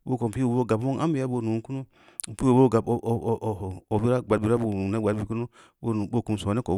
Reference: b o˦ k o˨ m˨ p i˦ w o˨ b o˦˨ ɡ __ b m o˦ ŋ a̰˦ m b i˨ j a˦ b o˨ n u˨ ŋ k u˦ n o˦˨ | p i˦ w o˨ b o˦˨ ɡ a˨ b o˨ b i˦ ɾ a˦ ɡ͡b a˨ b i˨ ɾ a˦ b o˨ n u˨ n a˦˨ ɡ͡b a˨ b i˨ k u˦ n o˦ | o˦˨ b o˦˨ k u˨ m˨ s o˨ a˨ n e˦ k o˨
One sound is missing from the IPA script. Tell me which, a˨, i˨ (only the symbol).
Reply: a˨